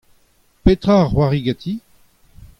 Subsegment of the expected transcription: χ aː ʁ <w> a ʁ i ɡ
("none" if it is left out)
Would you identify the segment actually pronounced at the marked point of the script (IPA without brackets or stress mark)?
w